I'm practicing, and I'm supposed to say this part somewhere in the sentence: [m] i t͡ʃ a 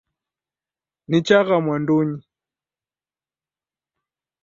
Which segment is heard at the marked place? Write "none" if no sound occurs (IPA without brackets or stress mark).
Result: n